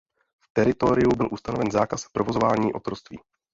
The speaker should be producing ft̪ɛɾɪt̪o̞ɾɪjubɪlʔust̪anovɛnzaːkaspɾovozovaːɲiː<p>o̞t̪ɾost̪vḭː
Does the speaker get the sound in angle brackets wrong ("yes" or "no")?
yes